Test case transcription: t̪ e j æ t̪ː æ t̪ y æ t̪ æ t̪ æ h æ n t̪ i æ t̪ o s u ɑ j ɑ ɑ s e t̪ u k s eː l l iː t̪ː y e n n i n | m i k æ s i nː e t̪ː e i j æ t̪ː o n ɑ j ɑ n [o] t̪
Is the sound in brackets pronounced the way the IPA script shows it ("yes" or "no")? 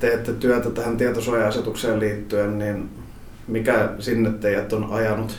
no